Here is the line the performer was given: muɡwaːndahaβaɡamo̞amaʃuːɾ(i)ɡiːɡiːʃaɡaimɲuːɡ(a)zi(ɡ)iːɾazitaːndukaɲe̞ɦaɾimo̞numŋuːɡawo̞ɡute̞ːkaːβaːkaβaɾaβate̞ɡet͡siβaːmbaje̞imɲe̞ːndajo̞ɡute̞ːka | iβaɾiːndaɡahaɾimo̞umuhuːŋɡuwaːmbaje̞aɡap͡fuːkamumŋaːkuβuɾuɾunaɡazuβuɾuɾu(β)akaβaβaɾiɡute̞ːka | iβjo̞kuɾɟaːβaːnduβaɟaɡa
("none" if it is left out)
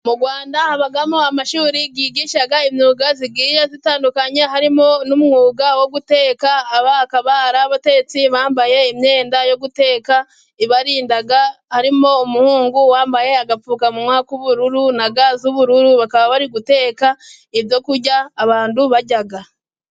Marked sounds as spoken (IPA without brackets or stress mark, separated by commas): i, a, ɡ, β